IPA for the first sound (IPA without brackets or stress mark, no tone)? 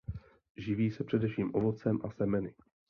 ʒ